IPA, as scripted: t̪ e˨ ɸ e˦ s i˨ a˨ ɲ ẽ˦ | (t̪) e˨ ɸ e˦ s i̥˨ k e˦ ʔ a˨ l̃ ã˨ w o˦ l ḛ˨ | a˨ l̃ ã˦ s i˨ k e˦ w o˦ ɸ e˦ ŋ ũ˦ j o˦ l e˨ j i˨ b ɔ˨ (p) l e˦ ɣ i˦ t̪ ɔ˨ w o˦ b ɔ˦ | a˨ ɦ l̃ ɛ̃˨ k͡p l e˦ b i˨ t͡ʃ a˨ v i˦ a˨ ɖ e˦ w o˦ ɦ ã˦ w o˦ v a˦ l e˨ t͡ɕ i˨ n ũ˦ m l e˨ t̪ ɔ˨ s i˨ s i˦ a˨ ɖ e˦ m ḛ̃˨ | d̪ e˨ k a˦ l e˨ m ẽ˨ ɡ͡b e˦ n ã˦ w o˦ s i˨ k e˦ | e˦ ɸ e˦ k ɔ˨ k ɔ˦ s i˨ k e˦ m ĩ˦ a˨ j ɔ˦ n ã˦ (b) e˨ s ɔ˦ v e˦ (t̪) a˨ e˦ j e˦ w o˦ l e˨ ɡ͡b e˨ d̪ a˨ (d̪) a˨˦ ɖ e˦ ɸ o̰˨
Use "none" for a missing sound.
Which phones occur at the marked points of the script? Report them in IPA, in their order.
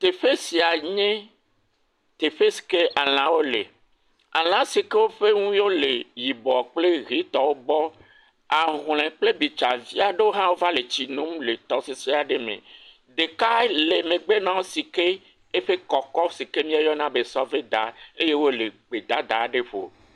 t̪, k͡p, b, d̪, d̪

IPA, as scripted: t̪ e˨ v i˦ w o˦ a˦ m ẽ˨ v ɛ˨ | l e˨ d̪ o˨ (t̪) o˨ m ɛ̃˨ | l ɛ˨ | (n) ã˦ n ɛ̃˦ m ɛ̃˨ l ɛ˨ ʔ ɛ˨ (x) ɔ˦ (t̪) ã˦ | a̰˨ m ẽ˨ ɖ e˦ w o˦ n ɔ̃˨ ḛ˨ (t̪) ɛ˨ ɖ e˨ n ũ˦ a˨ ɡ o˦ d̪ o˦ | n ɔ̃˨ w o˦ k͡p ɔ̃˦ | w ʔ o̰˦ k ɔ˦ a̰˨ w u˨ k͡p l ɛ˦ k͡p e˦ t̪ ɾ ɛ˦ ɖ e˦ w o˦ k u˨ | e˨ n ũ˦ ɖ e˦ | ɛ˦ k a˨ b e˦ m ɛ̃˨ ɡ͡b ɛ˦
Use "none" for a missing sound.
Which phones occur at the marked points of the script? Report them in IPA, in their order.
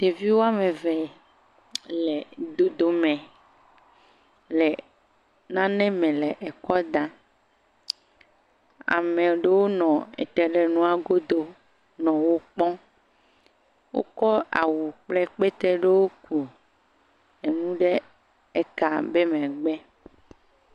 d̪, n, k, d̪, t̪

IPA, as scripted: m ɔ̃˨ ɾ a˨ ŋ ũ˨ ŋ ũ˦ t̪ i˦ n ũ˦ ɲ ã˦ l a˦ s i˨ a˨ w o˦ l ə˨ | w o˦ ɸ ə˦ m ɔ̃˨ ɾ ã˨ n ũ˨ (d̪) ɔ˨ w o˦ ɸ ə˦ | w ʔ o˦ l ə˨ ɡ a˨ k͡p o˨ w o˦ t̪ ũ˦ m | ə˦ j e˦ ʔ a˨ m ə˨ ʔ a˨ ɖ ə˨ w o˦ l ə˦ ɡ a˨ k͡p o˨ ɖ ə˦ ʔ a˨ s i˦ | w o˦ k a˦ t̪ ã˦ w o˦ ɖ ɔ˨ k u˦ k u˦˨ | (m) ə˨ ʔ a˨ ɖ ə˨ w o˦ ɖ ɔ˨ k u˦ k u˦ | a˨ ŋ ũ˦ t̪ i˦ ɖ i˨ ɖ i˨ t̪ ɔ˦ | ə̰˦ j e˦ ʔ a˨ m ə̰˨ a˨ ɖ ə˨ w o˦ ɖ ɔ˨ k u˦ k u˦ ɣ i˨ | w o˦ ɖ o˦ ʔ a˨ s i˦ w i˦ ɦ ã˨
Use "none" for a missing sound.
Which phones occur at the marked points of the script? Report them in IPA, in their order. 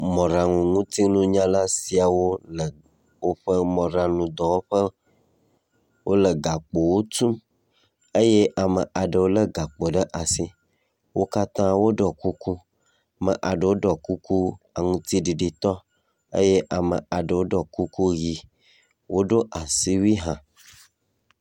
d̪, m

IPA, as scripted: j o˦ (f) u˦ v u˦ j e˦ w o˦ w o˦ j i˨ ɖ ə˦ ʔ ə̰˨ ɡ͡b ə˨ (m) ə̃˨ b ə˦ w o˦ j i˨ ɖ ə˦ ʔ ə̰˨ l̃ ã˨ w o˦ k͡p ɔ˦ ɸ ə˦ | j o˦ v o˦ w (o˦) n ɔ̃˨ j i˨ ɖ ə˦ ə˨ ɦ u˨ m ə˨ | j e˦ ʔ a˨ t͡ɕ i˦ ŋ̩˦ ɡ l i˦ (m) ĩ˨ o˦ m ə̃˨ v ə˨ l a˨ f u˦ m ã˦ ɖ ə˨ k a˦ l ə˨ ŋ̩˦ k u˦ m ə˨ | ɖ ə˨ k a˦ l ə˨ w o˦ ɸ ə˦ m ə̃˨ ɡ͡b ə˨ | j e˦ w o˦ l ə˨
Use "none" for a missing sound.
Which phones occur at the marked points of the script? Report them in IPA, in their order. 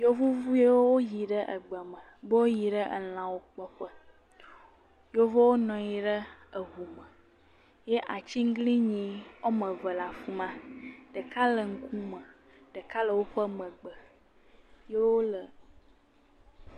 v, m, o˦, ɲ

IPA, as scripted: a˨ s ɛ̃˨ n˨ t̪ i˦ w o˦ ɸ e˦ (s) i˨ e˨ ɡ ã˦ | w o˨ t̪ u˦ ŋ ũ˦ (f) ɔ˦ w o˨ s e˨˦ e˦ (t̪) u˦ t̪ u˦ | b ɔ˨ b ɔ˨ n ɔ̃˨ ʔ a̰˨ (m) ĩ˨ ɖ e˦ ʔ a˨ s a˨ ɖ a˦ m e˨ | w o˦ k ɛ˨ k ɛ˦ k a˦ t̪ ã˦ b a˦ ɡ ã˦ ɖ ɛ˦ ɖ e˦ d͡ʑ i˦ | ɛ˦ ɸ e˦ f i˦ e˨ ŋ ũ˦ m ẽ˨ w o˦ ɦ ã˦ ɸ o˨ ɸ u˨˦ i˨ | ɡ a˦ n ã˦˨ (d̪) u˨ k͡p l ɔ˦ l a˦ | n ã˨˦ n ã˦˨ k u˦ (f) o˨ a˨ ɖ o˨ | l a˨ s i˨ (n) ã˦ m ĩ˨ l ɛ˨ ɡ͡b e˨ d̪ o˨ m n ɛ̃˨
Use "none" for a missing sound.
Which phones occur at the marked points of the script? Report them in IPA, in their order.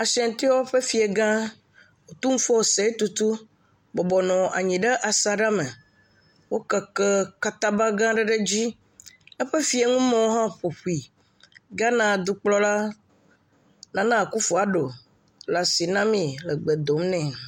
f, f, t̪, ɲ, d̪, f, n

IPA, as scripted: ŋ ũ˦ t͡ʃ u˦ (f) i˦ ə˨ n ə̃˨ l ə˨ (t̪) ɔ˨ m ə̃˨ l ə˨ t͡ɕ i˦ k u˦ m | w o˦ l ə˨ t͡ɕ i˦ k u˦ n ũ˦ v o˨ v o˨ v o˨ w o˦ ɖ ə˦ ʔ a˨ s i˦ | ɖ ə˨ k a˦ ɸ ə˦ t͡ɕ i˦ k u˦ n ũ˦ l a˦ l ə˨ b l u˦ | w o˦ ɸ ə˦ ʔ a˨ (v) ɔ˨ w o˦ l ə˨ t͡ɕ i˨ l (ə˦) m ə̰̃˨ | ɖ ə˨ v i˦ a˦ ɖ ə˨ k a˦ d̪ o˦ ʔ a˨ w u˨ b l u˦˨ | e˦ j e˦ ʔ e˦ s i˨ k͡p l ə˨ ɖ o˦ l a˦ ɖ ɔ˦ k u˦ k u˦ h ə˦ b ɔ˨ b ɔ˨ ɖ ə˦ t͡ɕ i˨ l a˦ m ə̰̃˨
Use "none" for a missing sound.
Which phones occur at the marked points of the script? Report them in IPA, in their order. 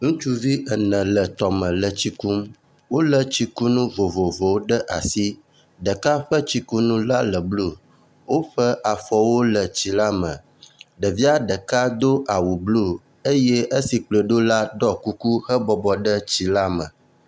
v, t̪, f, a˦

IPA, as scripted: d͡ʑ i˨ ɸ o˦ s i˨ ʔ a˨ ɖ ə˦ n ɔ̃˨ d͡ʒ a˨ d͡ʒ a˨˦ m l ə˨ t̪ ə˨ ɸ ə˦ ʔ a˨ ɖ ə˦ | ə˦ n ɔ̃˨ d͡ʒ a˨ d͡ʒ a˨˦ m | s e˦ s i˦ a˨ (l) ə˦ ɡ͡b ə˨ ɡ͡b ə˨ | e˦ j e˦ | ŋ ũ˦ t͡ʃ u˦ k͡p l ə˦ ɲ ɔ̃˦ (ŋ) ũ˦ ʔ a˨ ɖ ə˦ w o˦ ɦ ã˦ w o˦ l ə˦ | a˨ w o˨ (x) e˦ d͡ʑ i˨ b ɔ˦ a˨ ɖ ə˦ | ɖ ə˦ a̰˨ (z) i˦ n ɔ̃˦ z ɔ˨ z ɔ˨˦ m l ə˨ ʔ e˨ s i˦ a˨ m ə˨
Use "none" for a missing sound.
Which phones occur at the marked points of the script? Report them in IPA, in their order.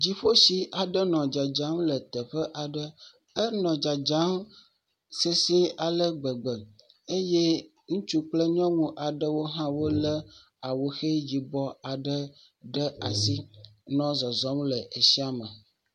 l, ŋ, x, s

